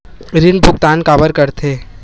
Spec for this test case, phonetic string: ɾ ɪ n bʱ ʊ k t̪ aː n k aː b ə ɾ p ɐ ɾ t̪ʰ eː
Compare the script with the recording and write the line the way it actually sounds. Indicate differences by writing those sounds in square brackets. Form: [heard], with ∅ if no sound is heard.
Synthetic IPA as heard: ɾ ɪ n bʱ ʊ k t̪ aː n k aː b ə ɾ [k] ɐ ɾ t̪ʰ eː